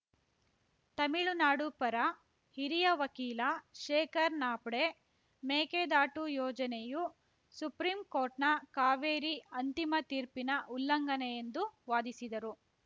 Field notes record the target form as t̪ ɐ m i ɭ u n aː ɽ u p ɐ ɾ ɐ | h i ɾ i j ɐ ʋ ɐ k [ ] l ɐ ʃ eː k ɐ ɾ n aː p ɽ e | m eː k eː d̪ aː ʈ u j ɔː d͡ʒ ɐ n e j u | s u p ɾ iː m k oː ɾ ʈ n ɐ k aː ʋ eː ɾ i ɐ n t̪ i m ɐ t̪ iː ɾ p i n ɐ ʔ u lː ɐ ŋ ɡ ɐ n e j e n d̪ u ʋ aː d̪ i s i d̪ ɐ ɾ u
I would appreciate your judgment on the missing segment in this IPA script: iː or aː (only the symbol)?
iː